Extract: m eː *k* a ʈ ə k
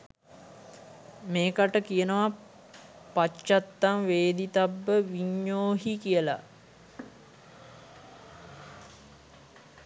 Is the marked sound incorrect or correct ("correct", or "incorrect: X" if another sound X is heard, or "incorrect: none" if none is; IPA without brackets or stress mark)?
correct